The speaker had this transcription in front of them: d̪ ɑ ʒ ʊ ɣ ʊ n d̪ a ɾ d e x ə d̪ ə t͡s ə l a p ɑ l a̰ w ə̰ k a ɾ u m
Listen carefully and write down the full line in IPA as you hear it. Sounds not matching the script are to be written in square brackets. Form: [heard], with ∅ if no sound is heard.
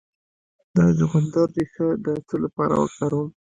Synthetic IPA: d̪ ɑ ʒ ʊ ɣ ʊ n d̪ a ɾ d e x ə d̪ ə t͡s ə l a p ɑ [ɾ] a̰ w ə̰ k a ɾ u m